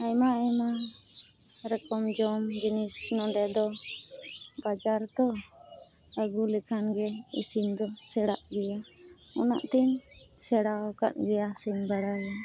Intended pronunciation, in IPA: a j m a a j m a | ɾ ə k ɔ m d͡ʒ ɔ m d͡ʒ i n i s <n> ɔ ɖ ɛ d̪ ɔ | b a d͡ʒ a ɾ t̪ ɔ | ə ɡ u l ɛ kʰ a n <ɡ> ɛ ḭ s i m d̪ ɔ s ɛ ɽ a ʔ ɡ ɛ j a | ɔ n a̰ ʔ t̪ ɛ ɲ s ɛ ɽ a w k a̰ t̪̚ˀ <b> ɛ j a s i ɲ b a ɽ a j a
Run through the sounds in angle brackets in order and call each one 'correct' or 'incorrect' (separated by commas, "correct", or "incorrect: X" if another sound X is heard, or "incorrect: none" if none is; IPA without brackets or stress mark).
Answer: correct, correct, incorrect: ɡ